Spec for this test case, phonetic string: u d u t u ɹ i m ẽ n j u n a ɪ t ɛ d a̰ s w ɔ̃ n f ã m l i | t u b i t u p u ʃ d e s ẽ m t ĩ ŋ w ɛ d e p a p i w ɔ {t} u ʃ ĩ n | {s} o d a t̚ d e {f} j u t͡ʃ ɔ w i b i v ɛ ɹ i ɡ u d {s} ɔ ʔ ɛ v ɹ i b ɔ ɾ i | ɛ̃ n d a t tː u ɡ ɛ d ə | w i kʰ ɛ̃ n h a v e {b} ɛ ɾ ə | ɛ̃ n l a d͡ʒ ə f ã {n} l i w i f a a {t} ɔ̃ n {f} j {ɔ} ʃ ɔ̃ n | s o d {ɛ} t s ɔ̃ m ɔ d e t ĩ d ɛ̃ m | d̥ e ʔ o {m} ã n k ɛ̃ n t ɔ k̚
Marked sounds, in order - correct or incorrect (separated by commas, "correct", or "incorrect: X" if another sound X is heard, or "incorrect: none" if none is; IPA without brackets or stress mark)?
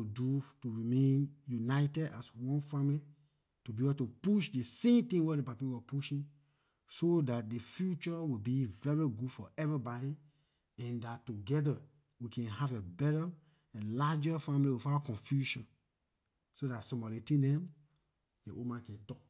incorrect: p, correct, correct, incorrect: f, correct, incorrect: m, incorrect: k, correct, incorrect: u, incorrect: a, correct